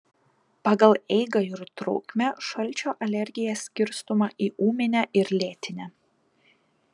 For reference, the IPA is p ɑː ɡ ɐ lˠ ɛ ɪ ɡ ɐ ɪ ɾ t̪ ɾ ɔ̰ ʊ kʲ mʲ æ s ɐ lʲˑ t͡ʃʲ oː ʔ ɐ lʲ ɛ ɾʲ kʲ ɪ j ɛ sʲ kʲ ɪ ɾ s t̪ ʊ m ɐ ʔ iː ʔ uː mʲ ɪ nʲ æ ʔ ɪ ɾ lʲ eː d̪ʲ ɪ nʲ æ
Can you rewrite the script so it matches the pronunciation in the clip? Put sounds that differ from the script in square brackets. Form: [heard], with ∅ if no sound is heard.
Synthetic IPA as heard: p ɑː ɡ ɐ lˠ ɛ ɪ ɡ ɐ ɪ ɾ t̪ ɾ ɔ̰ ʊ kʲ mʲ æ [ʃ] ɐ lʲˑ t͡ʃʲ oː ʔ ɐ lʲ ɛ ɾʲ [ɡʲ] ɪ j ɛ sʲ kʲ ɪ ɾ s t̪ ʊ m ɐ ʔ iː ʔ uː mʲ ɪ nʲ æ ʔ ɪ ɾ lʲ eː [t̪ʲ] ɪ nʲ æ